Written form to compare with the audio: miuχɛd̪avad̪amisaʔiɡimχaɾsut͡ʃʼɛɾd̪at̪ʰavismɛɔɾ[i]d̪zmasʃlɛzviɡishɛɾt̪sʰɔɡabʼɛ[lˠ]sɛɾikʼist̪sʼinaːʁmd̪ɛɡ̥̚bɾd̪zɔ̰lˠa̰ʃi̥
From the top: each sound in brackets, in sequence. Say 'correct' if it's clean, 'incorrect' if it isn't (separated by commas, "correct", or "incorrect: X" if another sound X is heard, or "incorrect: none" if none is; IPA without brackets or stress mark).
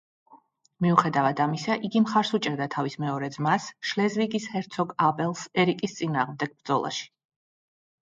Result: incorrect: ɛ, correct